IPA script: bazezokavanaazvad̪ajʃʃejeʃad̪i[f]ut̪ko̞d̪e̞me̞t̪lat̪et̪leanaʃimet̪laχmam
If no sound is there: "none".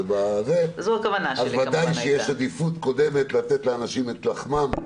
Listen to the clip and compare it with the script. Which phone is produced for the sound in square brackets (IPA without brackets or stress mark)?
f